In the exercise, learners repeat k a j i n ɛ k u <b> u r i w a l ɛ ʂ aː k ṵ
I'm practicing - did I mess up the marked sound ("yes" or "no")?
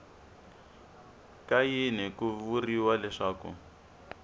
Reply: yes